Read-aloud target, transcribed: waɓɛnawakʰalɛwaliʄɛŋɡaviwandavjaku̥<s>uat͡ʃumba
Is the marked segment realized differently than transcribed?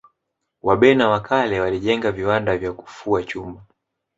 yes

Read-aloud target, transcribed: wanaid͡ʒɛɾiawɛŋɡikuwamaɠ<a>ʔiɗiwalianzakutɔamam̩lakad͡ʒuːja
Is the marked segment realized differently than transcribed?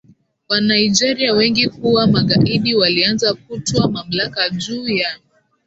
no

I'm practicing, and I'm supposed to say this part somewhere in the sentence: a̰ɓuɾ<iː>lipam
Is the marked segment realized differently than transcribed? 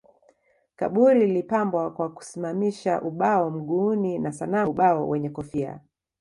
yes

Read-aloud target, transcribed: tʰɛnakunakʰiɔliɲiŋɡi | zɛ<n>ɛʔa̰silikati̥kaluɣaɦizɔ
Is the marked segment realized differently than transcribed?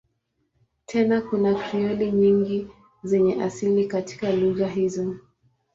yes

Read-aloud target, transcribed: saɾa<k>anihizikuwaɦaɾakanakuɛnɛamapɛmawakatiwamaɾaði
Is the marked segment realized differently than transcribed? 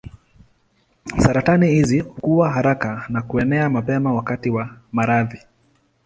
yes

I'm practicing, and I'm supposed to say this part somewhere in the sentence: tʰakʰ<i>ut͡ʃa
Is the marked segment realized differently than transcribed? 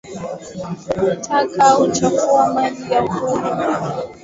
yes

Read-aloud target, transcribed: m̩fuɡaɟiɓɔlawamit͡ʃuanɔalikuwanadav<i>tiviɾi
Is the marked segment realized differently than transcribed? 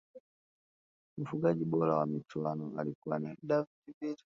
no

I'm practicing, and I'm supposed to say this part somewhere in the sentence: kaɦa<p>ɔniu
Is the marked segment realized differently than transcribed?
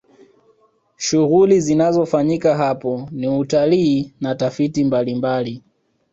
no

